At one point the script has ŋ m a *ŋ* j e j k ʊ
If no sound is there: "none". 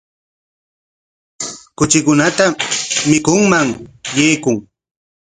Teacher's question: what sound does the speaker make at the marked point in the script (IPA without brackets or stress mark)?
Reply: ŋ